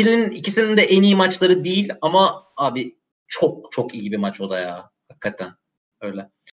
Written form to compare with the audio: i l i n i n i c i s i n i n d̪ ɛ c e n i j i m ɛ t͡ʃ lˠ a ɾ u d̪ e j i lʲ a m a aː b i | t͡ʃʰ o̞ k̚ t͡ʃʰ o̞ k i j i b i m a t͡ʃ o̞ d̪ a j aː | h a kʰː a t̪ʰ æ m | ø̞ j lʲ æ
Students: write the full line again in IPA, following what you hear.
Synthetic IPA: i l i n i n i c i s i n i n d̪ ɛ ʔ e n i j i m a t͡ʃ lˠ a ɾ ɯ d̪ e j i lʲ a m a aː b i | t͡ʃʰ o̞ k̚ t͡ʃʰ o̞ k i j i b i m a t͡ʃ o̞ d̪ a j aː | h a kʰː a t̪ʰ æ n | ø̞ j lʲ ɛ